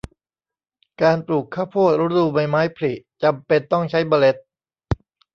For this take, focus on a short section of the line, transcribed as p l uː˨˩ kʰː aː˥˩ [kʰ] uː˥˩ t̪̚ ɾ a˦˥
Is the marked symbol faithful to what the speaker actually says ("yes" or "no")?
no